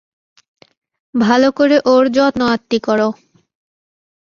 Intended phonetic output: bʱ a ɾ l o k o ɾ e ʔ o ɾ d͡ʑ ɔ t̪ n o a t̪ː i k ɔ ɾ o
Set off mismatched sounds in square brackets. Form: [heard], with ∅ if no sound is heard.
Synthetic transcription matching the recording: bʱ a [∅] l o k o ɾ e ʔ o ɾ d͡ʑ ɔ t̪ n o a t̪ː i k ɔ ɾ o